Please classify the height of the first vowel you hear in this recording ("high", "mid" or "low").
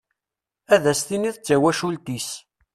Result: low